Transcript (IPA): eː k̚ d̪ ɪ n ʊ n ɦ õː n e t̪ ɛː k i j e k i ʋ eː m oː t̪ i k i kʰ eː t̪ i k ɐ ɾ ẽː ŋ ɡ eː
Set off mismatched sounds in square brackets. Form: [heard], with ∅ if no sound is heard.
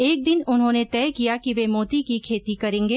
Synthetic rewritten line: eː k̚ d̪ ɪ n ʊ n ɦ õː n e t̪ ɛː k i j [a] k i ʋ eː m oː t̪ i k i kʰ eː t̪ i k ɐ ɾ ẽː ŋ ɡ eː